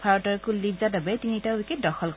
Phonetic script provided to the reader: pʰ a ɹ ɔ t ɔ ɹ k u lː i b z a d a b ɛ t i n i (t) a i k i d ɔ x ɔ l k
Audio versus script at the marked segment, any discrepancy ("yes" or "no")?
no